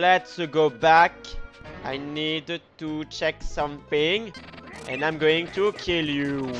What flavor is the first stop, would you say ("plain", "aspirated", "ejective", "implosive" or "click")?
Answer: plain